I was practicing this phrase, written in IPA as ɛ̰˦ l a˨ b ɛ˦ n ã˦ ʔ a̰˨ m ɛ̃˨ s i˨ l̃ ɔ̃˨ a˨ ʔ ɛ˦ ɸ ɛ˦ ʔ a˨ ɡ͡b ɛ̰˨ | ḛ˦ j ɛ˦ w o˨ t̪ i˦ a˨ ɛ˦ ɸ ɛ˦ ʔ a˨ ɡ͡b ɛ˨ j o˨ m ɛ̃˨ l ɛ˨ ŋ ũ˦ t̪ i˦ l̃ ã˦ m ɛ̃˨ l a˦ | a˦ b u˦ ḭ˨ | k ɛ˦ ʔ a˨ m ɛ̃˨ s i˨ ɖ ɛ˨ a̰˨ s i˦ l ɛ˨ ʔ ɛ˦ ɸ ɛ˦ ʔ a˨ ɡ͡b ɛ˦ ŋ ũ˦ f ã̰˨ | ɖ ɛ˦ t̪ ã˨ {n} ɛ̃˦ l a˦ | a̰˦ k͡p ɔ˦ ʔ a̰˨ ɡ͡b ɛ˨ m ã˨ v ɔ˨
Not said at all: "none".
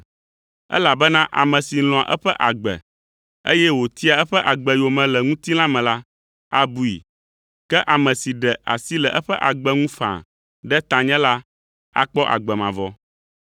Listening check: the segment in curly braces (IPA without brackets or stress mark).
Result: ɲ